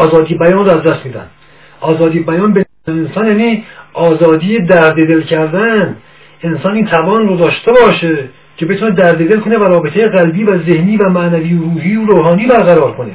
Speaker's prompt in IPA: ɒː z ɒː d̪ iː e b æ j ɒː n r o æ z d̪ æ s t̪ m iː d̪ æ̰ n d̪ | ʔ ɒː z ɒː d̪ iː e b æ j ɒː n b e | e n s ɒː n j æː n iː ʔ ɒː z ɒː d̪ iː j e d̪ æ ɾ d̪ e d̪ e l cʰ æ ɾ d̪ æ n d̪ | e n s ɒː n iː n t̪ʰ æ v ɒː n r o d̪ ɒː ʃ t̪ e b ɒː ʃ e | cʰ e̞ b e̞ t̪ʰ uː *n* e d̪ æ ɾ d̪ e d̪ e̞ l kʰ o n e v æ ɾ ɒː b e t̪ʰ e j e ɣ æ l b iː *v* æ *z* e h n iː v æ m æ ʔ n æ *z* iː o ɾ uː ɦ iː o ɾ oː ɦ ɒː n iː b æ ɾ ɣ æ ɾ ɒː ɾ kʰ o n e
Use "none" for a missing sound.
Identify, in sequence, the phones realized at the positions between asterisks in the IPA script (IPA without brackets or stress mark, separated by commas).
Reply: n, v, z, v